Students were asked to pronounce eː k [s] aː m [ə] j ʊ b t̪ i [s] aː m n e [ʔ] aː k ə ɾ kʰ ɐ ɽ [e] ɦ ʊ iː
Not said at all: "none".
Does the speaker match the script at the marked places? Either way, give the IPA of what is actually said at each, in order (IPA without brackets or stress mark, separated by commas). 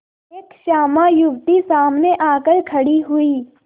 ʃ, a, s, ʔ, i